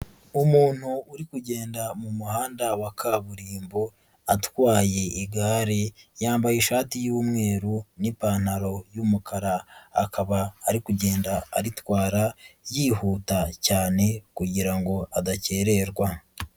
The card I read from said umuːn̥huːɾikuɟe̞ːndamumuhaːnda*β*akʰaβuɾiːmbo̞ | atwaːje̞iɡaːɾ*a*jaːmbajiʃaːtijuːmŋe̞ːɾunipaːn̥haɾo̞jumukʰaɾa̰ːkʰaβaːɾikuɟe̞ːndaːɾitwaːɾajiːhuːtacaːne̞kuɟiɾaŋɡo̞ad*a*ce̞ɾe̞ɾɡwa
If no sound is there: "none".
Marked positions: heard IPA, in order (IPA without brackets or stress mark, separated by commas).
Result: w, e, a